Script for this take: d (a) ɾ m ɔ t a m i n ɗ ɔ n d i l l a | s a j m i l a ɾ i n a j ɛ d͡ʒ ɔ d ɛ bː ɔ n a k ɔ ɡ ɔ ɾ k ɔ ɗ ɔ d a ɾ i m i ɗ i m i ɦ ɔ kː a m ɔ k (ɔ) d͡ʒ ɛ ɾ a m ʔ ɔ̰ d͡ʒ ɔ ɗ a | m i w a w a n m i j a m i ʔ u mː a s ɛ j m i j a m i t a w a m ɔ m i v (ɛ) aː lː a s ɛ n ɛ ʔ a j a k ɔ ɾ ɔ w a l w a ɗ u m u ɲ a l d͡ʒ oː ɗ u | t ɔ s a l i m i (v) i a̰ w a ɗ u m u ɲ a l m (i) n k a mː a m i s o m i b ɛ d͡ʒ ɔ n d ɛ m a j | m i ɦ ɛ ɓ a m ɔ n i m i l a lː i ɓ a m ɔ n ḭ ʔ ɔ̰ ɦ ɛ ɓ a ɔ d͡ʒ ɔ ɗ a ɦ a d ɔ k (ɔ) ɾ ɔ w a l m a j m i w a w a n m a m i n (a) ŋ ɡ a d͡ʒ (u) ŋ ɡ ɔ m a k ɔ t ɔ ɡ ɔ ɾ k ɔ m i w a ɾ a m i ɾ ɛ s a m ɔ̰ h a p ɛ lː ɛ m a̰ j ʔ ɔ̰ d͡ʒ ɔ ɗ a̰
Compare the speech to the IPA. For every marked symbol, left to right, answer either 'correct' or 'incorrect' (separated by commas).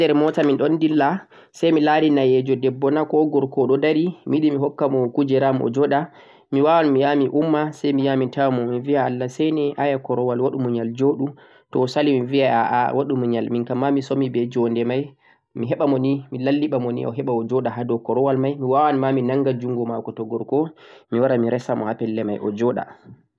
incorrect, incorrect, incorrect, correct, correct, correct, correct, correct